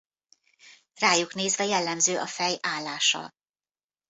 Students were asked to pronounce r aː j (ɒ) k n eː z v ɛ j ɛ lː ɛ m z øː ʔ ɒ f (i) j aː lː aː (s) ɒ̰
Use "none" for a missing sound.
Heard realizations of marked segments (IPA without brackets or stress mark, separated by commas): u, ɛ, ʃ